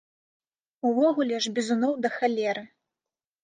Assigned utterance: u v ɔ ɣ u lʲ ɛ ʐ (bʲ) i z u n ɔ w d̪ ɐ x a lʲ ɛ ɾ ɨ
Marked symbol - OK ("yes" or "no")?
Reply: yes